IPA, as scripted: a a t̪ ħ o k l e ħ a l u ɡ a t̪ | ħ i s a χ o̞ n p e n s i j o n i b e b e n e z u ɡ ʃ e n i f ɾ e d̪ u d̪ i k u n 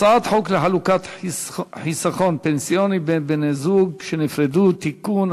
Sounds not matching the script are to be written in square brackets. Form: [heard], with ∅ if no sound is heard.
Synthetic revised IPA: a a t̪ ħ o k l e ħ a l u [k] a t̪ | ħ i s a χ o̞ n p e n s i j o n i b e b e n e z u ɡ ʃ e n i f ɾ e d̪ u [t̪] i k u n